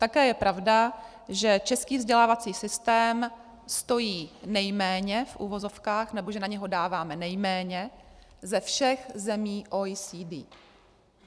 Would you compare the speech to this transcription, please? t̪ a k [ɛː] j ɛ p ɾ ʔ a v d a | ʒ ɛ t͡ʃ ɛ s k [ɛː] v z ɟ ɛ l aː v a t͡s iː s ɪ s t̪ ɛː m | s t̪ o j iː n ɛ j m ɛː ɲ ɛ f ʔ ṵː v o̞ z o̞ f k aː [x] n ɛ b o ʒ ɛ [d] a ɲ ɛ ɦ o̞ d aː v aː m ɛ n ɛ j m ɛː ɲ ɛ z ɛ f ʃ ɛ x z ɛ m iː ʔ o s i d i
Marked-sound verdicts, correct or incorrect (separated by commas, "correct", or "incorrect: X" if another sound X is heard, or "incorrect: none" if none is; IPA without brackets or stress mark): correct, incorrect: iː, correct, incorrect: n